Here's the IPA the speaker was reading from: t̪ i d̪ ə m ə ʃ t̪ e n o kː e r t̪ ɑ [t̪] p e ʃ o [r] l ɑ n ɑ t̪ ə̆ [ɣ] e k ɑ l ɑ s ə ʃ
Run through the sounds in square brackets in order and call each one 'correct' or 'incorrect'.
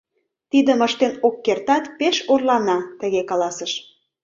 correct, correct, correct

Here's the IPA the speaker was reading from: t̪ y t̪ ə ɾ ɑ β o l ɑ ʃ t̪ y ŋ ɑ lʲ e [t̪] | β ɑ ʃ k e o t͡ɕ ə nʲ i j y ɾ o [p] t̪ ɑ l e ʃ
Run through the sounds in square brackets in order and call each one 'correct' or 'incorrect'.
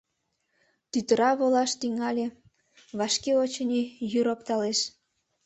incorrect: none, correct

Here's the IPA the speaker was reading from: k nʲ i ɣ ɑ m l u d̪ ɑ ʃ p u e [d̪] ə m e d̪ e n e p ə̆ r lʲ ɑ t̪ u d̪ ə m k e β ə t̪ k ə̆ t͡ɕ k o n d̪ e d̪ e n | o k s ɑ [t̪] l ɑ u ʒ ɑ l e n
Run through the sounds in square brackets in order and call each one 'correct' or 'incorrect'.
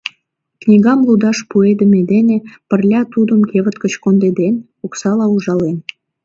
correct, incorrect: none

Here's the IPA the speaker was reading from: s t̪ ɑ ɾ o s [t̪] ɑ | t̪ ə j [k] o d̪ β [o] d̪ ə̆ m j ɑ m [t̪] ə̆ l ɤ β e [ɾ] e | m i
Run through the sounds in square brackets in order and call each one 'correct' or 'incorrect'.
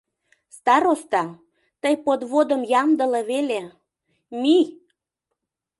correct, incorrect: p, correct, incorrect: d̪, incorrect: l

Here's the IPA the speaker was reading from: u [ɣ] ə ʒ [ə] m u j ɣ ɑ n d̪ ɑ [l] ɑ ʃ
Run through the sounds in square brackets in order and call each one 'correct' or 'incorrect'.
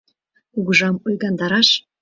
correct, incorrect: ɑ, incorrect: ɾ

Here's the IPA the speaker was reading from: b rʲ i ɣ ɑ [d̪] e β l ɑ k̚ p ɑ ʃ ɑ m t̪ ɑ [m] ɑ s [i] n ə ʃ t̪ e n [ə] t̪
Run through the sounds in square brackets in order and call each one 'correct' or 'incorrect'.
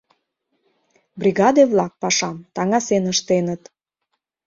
correct, incorrect: ŋ, incorrect: e, correct

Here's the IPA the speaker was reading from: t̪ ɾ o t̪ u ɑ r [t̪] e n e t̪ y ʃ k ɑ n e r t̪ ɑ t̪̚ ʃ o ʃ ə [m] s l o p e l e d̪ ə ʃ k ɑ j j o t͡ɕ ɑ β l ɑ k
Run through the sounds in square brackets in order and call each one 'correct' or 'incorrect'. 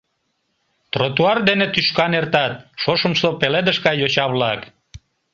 incorrect: d̪, correct

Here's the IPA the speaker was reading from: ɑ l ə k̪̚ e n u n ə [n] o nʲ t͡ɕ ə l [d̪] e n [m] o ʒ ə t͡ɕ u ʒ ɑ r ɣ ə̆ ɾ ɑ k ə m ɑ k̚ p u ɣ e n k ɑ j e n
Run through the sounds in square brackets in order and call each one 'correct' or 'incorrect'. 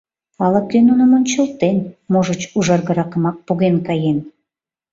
incorrect: m, incorrect: t̪, correct

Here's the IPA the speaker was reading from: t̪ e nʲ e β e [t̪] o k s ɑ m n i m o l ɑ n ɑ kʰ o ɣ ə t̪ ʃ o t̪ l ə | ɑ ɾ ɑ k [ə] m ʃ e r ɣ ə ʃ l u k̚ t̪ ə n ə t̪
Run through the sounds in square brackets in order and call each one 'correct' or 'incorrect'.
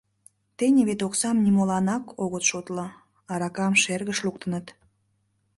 correct, incorrect: ɑ

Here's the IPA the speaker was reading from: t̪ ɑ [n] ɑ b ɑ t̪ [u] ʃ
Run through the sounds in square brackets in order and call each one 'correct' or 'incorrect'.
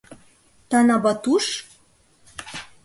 correct, correct

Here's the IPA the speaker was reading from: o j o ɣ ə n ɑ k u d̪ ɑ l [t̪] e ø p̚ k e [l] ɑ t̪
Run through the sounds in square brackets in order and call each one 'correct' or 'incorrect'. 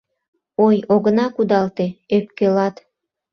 correct, correct

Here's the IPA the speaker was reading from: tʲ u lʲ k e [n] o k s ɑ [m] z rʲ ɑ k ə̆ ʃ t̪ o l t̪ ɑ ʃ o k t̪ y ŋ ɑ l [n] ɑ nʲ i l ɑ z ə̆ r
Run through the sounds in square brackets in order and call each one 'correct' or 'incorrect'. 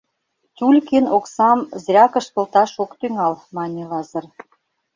correct, correct, incorrect: m

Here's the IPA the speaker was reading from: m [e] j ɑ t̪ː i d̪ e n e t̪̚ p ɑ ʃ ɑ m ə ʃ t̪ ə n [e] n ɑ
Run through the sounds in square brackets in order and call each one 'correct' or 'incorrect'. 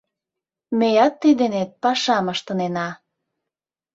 correct, correct

